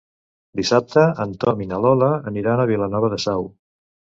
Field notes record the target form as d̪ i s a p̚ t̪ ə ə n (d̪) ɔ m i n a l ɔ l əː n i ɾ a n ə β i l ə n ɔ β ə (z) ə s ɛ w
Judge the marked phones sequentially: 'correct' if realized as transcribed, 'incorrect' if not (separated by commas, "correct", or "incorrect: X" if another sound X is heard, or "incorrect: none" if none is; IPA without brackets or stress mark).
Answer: incorrect: t̪, incorrect: ð